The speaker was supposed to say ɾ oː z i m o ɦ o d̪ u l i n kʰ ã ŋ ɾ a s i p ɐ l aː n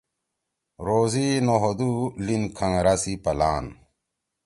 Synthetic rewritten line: ɾ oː z i n o ɦ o d̪ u l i n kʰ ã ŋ ɾ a s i p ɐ l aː n

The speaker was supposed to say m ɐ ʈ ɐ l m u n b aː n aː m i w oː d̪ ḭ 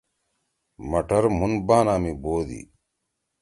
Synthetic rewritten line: m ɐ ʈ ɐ ɾ m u n b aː n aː m i b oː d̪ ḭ

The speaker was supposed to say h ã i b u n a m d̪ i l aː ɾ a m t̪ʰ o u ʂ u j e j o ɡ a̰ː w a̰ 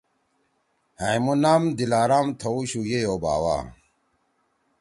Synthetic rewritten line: h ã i m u n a m d̪ i l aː ɾ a m t̪ʰ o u ɕ u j e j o b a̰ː w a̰

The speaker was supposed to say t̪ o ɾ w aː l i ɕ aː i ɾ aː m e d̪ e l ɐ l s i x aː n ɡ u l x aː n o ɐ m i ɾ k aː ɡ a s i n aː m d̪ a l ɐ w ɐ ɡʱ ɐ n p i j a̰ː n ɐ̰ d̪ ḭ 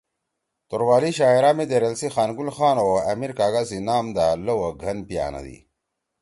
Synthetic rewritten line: t̪ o ɾ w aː l i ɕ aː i ɾ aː m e d̪ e ɾ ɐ l s i x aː n ɡ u l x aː n o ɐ m i ɾ k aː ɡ a s i n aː m d̪ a l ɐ w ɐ ɡʱ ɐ n p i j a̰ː n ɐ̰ d̪ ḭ

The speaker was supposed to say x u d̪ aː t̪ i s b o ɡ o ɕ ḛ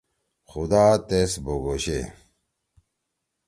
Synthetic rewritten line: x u d̪ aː t̪ e s b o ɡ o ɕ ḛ

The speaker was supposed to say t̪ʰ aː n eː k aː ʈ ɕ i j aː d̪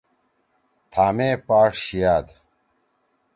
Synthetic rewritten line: t̪ʰ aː m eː p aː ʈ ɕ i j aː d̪

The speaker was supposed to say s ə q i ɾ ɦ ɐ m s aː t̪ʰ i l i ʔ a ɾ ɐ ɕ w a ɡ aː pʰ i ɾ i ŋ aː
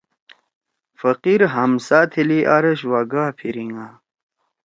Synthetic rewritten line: f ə q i ɾ ɦ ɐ m s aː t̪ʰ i l i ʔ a ɾ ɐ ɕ w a ɡ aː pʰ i ɾ i ŋ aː

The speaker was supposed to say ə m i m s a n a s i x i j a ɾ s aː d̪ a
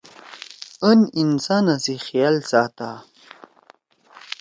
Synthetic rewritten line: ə n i n s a n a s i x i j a l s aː t̪ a

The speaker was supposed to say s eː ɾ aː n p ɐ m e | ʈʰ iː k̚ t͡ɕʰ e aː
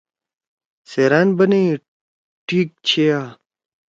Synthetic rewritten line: s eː ɾ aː n b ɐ n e | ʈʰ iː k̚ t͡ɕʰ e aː

